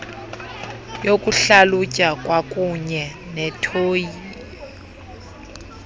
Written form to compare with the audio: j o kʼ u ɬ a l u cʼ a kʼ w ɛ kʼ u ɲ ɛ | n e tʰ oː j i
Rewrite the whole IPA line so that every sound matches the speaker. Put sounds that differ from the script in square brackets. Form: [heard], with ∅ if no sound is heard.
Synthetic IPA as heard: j o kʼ u ɬ a l u cʼ a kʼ w [a] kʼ u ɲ ɛ | n [ɛ] tʰ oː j i